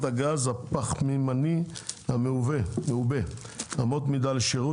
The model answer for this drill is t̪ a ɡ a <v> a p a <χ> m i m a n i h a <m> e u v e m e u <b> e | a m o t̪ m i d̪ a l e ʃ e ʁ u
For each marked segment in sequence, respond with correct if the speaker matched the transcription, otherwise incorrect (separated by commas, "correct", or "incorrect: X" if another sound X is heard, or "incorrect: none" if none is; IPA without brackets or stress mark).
incorrect: z, correct, correct, correct